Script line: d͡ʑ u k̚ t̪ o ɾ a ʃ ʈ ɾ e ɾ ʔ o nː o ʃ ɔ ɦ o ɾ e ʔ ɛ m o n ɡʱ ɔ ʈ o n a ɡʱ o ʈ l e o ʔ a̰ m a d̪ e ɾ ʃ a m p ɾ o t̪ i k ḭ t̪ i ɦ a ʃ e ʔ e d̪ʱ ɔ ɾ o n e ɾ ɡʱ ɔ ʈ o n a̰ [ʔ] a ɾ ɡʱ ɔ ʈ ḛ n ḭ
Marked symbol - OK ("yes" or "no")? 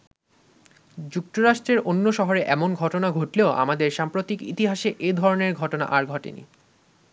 yes